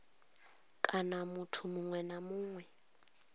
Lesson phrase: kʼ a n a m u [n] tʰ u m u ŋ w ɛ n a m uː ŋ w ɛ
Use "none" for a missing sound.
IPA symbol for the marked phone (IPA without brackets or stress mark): none